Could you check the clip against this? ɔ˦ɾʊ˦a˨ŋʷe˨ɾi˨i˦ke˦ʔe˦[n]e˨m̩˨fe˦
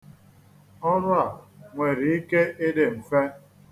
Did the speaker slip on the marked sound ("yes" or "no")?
yes